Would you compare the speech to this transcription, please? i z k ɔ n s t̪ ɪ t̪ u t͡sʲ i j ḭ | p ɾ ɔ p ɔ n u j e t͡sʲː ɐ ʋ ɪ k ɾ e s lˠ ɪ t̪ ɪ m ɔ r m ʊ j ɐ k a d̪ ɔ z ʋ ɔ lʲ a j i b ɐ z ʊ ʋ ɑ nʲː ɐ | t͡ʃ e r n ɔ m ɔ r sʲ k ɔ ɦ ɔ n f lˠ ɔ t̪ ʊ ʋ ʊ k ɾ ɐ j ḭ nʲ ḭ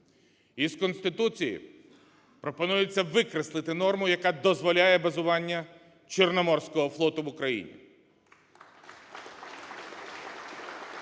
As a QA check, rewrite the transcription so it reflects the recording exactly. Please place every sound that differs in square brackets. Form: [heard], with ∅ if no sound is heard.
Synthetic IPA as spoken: i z k ɔ n s t̪ ɪ t̪ u t͡sʲ i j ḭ | p ɾ ɔ p ɔ n u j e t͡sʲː ɐ ʋ ɪ k ɾ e s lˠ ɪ t̪ ɪ [n] ɔ r m ʊ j ɐ k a d̪ ɔ z ʋ ɔ lʲ a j [ɛ] b ɐ z ʊ ʋ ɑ nʲː ɐ | t͡ʃ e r n ɔ m ɔ r sʲ k ɔ ɦ ɔ [∅] f lˠ ɔ t̪ ʊ ʋ ʊ k ɾ ɐ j ḭ nʲ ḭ